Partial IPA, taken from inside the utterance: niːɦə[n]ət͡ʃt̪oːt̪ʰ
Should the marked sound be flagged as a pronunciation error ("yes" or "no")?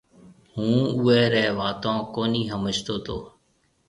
yes